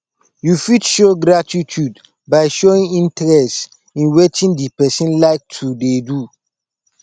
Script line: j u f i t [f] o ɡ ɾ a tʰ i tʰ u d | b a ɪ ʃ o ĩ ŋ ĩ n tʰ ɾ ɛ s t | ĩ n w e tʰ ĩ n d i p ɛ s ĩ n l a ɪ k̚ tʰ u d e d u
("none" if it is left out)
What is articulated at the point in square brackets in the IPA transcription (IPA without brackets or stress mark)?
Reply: ʃ